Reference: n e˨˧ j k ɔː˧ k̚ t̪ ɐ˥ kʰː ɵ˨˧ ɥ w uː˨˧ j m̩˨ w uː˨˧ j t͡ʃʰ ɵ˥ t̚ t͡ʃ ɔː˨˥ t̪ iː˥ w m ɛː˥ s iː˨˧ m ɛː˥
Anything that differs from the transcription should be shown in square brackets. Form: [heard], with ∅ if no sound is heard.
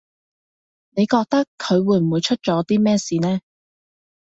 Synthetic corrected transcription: n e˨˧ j k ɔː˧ k̚ t̪ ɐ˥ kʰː ɵ˨˧ ɥ w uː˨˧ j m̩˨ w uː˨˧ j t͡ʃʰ ɵ˥ t̚ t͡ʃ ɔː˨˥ t̪ iː˥ [∅] m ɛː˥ s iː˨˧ [n] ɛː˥